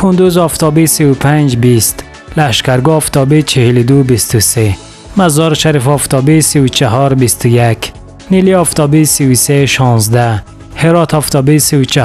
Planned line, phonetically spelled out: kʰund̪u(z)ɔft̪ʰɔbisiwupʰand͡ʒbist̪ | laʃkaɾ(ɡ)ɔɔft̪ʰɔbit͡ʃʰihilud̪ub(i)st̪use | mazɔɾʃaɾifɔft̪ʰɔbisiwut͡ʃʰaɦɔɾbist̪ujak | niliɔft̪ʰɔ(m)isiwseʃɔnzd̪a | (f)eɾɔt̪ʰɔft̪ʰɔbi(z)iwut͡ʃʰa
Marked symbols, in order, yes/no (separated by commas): yes, yes, yes, no, no, no